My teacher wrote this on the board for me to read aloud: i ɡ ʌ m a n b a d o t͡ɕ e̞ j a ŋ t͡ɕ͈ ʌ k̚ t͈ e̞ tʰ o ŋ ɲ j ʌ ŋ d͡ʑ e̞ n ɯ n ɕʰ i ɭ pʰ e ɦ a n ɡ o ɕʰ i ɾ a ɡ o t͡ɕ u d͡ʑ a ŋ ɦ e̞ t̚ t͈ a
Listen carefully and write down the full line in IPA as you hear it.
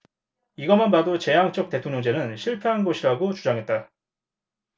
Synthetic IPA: i ɡ ʌ m a n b a d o t͡ɕ e̞ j a ŋ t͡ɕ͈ ʌ k̚ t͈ e̞ tʰ o ŋ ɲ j ʌ ŋ d͡ʑ e̞ n ɯ n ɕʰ i ɭ pʰ e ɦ a n ɡ o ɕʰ i ɾ a ɡ o t͡ɕ u d͡ʑ a ŋ ɦ e̞ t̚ t͈ a